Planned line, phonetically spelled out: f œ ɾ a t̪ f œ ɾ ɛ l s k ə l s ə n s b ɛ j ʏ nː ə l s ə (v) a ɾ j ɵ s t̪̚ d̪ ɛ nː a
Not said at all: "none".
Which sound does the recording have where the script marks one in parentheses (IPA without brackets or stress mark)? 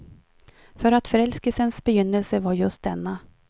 v